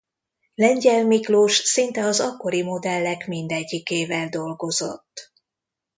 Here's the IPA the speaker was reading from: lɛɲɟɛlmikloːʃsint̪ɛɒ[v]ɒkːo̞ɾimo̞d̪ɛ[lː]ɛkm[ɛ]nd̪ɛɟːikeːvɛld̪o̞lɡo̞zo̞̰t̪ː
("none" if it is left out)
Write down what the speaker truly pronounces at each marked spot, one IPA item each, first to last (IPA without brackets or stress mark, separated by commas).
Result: z, lː, i